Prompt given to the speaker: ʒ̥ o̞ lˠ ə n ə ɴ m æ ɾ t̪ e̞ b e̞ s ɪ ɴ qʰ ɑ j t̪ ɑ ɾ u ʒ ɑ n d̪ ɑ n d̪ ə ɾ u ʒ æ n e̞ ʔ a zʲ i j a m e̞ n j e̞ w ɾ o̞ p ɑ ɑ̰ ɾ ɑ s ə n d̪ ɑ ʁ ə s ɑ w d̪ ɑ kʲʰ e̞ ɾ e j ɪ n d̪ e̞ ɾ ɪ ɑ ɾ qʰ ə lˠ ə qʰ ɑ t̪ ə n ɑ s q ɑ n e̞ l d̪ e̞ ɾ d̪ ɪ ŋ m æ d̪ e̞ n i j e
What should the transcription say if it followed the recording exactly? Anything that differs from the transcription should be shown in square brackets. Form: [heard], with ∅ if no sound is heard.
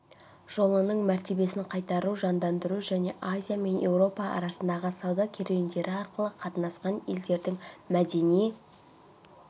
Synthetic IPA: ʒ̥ o̞ lˠ ə n ə ɴ m æ ɾ t̪ e̞ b e̞ s ɪ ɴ qʰ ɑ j t̪ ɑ ɾ u ʒ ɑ n d̪ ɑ n d̪ ə ɾ u ʒ æ n e̞ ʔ a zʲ i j a m e̞ n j e̞ w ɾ o̞ p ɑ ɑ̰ ɾ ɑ s ə n d̪ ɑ ʁ ə s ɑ w d̪ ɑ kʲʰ e̞ ɾ e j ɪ n d̪ e̞ ɾ ɪ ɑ ɾ [q] ə lˠ ə qʰ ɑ t̪ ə n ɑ s q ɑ n e̞ l d̪ e̞ ɾ d̪ ɪ ŋ m æ d̪ e̞ n i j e